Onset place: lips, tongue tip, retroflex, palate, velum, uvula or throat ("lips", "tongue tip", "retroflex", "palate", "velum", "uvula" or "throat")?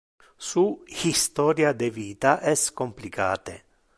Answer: tongue tip